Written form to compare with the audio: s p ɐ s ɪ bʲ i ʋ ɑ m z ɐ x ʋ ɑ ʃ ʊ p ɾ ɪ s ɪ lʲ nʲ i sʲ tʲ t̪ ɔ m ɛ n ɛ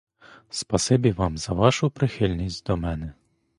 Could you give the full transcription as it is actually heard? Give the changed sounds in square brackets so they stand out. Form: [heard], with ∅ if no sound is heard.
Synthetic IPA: s p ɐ s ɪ bʲ i ʋ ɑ m z ɐ [∅] ʋ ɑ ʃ ʊ p ɾ ɪ [x] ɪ lʲ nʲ i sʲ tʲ [d̪] ɔ m ɛ n ɛ